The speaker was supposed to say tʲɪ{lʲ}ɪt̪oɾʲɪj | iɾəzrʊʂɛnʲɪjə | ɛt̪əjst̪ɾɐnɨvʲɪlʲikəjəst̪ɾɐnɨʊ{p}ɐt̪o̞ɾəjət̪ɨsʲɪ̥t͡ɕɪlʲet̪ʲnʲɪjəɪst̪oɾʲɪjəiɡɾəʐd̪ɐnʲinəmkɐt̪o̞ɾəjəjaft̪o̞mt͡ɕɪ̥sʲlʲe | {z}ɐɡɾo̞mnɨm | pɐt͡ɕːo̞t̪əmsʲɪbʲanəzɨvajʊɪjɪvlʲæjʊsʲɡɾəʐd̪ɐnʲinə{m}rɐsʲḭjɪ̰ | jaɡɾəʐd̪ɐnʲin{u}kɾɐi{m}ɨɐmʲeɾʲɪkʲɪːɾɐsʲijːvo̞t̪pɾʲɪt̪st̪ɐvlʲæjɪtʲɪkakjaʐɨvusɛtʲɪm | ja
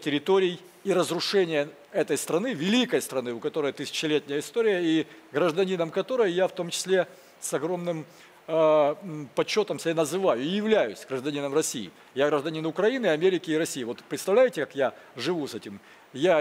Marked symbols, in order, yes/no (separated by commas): no, no, no, yes, no, no